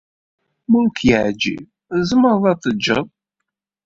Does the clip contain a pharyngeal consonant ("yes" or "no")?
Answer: yes